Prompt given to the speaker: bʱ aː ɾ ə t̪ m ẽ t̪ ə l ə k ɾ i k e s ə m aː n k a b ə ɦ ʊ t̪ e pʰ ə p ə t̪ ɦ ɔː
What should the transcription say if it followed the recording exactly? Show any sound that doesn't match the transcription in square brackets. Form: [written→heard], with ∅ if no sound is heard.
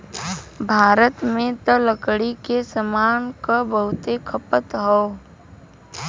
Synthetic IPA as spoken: bʱ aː ɾ ə t̪ m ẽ t̪ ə l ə k [ɾ→ɽ] i k e s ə m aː n k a b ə ɦ ʊ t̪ e [pʰ→kʰ] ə p ə t̪ ɦ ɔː